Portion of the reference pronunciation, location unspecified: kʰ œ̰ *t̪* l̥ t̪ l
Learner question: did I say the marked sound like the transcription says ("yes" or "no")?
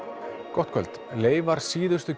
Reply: no